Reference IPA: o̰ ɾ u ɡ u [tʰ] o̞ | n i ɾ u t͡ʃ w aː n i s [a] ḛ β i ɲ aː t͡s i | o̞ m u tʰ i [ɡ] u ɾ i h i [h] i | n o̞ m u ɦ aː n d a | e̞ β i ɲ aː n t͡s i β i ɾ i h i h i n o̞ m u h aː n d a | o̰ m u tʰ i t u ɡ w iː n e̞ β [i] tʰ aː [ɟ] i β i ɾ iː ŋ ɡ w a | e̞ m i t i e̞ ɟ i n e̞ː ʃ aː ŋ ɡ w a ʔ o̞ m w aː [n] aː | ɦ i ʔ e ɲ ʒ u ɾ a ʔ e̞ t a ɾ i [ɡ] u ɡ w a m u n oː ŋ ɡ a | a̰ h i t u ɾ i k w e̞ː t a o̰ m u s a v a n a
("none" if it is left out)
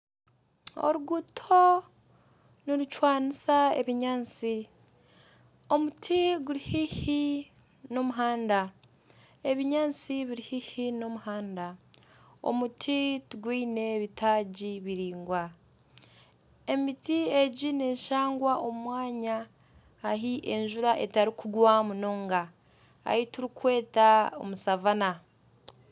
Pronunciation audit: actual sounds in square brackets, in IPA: tʰ, a, ɡ, h, i, ɟ, ɲ, k

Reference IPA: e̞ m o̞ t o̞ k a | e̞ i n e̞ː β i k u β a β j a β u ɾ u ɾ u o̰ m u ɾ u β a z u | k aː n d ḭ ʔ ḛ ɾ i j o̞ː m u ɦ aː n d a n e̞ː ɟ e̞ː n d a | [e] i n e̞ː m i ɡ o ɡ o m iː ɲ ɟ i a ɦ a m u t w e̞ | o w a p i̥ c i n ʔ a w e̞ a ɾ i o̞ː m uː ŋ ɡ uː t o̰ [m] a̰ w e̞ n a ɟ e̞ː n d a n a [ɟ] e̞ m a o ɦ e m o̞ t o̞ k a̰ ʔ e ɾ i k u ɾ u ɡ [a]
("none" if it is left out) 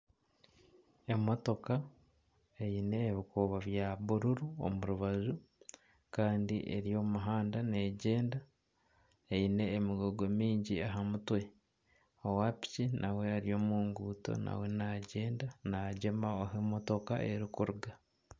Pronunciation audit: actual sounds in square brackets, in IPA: e, n, ɟ, a

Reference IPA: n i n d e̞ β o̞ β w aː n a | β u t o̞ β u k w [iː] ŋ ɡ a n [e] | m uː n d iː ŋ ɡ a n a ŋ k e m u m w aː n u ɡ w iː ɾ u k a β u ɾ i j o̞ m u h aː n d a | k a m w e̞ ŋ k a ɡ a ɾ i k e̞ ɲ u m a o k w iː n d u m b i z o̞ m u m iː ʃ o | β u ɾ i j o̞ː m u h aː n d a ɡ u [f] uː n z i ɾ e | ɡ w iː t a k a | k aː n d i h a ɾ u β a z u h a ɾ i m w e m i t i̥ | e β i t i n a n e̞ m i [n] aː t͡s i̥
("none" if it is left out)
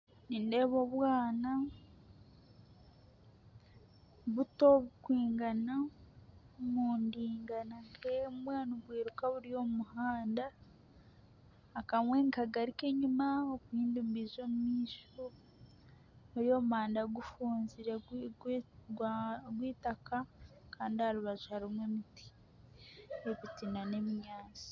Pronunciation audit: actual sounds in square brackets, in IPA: iː, a, f, ɲ

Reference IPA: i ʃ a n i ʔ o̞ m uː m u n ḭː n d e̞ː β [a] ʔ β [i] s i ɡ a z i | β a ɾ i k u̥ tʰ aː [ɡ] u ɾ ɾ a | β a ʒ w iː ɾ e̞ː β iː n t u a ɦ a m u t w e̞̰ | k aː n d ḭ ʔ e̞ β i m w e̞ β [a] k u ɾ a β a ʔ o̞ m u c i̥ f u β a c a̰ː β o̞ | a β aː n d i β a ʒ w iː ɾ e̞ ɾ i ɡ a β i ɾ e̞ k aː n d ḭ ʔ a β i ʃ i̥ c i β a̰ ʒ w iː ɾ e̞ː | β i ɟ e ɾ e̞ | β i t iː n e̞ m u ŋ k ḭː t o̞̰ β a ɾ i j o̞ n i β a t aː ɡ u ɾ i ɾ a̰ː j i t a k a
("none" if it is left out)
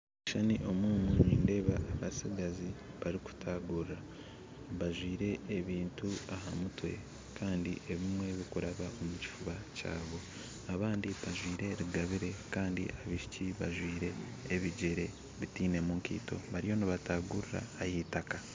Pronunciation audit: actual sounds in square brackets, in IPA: a, a, ɡ, i

